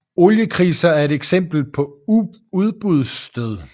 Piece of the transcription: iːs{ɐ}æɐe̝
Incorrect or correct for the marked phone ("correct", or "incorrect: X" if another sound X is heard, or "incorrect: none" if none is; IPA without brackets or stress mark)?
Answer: correct